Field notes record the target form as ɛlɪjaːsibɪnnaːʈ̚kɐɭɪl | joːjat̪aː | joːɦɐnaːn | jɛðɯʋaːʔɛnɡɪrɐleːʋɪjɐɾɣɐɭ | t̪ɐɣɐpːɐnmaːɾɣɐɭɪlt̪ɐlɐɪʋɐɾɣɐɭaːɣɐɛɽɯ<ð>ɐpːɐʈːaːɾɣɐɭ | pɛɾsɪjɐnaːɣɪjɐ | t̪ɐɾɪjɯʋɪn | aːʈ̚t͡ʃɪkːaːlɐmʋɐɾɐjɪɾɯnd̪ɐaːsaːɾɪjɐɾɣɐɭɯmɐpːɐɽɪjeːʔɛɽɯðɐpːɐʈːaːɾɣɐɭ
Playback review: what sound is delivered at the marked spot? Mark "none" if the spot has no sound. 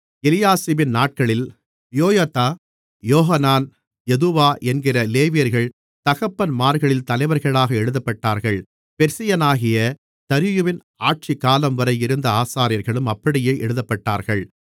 ð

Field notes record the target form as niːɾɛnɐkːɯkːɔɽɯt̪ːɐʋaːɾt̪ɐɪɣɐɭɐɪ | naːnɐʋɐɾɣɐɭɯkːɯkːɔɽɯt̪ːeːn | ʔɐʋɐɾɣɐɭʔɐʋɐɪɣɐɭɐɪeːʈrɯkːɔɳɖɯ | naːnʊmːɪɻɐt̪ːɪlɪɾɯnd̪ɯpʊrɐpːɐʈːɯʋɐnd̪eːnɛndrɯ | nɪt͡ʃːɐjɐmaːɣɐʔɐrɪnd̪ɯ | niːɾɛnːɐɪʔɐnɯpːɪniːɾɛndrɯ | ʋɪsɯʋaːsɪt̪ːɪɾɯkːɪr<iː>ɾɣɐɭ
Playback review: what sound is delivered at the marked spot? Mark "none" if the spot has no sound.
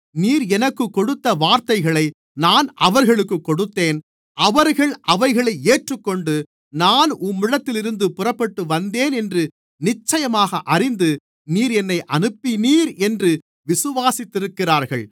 aː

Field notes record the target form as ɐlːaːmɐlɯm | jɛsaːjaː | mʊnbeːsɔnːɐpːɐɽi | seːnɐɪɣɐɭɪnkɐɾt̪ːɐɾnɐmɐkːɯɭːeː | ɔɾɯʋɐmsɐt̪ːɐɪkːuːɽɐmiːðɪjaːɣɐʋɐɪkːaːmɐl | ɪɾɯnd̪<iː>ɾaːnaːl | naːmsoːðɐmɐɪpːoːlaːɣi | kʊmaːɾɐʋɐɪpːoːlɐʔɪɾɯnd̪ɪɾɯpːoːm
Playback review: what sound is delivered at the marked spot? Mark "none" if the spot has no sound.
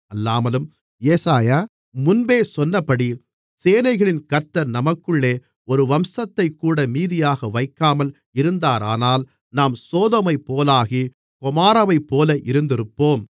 aː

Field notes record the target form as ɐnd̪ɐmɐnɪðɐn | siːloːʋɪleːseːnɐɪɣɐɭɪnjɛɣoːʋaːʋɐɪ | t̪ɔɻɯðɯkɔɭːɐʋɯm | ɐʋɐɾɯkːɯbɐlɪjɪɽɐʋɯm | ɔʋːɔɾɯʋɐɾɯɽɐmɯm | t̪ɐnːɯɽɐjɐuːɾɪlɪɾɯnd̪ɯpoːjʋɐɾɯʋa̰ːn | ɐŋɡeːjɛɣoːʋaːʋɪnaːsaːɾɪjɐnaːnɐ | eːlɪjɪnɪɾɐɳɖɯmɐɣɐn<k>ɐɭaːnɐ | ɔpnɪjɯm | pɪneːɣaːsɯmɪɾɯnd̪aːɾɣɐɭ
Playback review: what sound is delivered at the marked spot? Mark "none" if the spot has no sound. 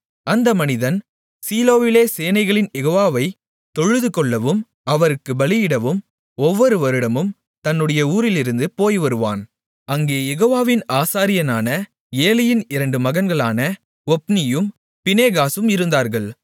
ɡ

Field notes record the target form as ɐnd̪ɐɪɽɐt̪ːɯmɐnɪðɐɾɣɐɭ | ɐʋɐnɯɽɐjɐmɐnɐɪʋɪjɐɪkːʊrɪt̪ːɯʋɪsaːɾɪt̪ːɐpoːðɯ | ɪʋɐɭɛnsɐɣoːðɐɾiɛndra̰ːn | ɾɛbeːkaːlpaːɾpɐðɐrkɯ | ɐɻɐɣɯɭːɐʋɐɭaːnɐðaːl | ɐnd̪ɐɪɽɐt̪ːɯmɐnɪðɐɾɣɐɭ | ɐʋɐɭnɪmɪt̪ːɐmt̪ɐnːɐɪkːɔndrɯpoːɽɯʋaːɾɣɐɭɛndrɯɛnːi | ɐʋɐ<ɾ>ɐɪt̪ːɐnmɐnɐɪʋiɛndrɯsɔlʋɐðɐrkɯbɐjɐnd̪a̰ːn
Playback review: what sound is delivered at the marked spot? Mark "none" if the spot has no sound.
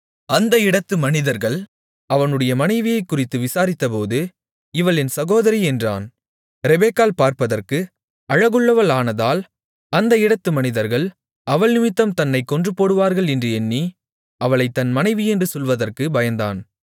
ɭ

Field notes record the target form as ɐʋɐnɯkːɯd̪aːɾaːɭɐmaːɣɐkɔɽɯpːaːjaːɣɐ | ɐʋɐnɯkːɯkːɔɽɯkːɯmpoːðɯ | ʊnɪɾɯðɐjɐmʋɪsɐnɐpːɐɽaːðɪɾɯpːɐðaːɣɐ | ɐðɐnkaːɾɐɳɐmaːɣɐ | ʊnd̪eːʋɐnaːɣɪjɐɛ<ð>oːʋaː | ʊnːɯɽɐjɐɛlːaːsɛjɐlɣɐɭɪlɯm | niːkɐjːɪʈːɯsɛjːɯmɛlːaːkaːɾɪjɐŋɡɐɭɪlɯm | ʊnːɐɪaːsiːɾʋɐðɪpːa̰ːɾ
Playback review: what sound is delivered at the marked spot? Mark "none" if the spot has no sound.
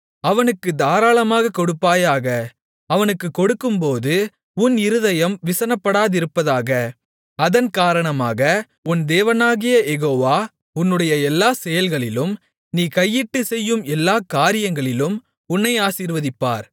ɣ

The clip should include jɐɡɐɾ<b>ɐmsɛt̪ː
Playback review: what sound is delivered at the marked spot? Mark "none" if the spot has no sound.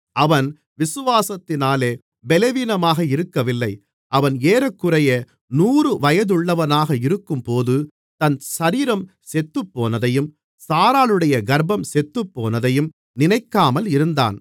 b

